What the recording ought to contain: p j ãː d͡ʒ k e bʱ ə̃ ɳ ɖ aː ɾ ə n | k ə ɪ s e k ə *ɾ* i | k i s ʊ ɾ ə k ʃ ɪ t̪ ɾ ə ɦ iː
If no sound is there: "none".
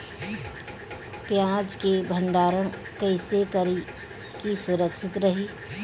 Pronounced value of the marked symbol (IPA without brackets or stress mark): ɾ